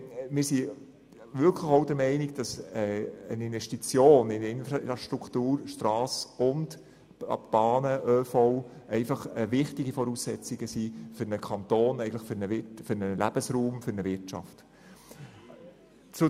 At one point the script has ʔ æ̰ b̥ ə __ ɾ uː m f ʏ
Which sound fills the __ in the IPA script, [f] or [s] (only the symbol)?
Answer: s